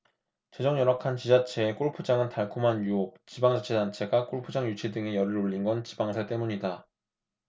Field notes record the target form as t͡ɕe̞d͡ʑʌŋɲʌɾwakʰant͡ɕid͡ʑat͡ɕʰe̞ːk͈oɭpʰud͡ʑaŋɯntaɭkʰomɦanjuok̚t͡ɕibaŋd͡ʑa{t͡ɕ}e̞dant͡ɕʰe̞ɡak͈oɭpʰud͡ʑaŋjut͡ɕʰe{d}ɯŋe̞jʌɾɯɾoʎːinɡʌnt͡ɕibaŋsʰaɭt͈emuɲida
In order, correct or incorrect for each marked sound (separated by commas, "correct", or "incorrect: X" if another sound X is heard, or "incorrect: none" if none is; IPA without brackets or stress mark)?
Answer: incorrect: t͡ɕʰ, correct